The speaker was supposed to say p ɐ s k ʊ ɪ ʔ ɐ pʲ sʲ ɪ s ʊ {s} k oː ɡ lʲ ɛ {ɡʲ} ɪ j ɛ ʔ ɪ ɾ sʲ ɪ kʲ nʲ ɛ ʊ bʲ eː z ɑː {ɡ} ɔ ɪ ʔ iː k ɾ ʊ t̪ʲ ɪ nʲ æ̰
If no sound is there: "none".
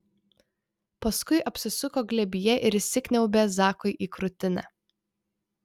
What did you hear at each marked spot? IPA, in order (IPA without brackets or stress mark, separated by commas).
none, bʲ, k